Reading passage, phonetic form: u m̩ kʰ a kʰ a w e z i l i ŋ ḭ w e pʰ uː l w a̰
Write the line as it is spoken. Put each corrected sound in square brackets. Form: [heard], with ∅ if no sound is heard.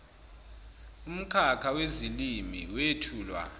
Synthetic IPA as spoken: u m̩ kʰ a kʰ a w e z i l i [m] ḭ w e [tʰ] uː l w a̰

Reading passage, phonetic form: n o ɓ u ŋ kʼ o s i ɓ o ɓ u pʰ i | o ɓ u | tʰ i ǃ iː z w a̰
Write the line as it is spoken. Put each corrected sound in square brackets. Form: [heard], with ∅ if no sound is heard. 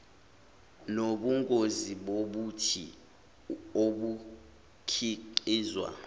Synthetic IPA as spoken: n o ɓ u ŋ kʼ o [z] i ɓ o ɓ u [tʰ] i | o ɓ u | [kʰ] i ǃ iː z w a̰

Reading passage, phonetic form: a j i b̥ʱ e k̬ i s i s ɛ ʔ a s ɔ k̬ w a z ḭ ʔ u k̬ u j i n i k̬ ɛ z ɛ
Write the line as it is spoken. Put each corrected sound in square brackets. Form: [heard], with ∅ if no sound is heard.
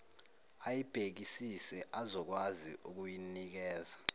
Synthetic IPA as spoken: a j i b̥ʱ e k̬ i s i s ɛ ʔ a [z] ɔ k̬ w a z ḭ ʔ u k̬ u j i n i k̬ [ɛː] z [a]

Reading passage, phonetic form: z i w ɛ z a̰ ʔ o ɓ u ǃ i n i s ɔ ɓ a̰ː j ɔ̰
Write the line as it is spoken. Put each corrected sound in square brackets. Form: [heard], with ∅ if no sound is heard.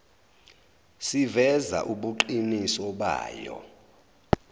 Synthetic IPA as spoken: [s] i [v] ɛ z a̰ ʔ [u] ɓ u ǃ i n i s ɔ ɓ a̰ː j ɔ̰

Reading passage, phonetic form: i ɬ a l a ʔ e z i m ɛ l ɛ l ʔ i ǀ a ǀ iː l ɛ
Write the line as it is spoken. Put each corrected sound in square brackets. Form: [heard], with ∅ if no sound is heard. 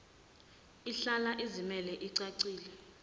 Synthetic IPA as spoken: i ɬ a l a ʔ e z i m ɛ l ɛ [∅] ʔ i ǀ a ǀ iː l ɛ

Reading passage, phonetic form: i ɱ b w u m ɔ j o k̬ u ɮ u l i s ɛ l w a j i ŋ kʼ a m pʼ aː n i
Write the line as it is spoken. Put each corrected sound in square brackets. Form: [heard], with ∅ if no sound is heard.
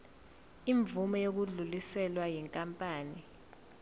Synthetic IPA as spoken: i ɱ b [v] u m ɔ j o k̬ u ɮ u l i s ɛ l w a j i ŋ kʼ a m pʼ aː n i

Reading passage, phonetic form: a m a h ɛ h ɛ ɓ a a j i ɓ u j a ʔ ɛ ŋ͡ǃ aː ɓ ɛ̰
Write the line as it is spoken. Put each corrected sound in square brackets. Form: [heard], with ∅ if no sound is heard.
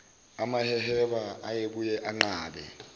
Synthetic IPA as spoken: a m a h ɛ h ɛ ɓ a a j [e] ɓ u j [ɛ] ʔ [a] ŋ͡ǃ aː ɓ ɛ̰

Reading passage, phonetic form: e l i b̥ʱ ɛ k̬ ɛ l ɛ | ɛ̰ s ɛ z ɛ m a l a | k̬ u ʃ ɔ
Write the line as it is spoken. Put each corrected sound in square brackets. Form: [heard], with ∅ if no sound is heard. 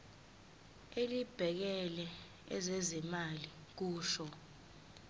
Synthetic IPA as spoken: e l i b̥ʱ ɛ k̬ ɛ l ɛ | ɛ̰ [z] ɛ z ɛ m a l [i] | k̬ [uː] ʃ ɔ

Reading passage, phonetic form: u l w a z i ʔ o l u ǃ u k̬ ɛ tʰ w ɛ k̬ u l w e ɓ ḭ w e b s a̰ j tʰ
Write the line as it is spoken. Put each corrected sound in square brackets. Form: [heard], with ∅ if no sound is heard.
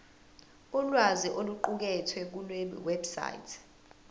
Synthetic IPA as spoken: u l w a z i ʔ o l u ǃ u k̬ ɛ tʰ w ɛ k̬ u l w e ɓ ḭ w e b s a̰ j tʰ

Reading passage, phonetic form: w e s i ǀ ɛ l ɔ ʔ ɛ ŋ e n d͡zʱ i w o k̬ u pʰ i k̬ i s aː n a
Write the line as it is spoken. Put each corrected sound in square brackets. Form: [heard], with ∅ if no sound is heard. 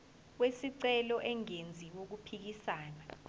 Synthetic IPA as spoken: w e s i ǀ ɛ l ɔ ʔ ɛ ŋ e n d͡zʱ i w o k̬ u pʰ i k̬ i s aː n a

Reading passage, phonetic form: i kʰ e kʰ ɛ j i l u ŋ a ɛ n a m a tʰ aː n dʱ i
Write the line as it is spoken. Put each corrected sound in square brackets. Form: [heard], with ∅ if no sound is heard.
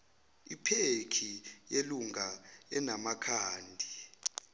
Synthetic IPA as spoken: i [pʰ] e kʰ [i] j [e] l u ŋ a ɛ n a m a [kʰ] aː n dʱ i

